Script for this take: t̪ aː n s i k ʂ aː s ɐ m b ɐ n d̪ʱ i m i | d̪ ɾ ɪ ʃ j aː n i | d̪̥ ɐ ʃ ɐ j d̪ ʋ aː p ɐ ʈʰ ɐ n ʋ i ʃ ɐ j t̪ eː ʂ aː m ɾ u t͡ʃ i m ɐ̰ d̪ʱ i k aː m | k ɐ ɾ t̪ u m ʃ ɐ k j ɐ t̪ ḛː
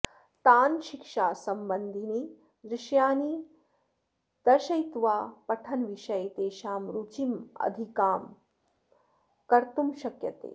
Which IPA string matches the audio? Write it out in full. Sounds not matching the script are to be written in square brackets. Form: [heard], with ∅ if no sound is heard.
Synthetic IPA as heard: t̪ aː n [ʃ] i k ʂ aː s ɐ m b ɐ n d̪ʱ i [n] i | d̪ ɾ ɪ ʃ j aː n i | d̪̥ ɐ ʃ ɐ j [t̪] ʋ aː p ɐ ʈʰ ɐ n ʋ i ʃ ɐ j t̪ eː [ʃ] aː m ɾ u t͡ʃ i m ɐ̰ d̪ʱ i k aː m | k ɐ ɾ t̪ u m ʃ ɐ k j ɐ t̪ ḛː